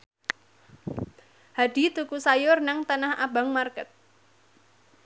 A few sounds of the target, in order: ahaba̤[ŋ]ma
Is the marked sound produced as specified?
yes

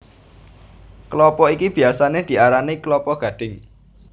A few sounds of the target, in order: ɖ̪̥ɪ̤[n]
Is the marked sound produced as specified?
no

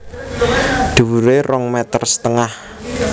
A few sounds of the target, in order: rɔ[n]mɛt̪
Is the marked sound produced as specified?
no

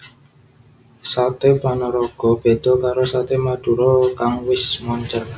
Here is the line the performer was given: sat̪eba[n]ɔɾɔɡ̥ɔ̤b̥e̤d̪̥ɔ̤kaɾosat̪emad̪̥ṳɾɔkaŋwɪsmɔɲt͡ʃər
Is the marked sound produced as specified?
yes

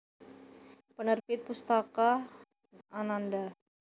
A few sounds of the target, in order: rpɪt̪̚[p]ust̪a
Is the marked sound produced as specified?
yes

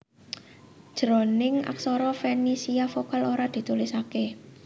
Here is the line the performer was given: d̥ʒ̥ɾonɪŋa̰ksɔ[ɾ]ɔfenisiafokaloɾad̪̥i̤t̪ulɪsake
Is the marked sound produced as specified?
yes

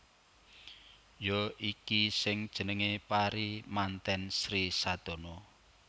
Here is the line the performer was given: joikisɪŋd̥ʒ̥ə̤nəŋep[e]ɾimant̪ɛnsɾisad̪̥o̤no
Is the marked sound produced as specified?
no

